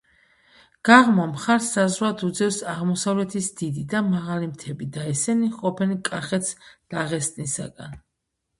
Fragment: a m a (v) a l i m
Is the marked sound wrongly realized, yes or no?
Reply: yes